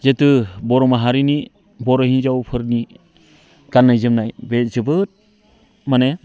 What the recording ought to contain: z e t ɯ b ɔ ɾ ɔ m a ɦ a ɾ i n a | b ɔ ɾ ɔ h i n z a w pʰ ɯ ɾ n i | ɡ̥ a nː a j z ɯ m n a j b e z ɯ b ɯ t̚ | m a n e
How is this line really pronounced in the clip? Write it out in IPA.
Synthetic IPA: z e t ɯ b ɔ ɾ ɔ m a ɦ a ɾ i n i | b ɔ ɾ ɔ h i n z a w pʰ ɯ ɾ n i | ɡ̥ a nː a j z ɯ m n a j b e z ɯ b ɯ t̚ | m a n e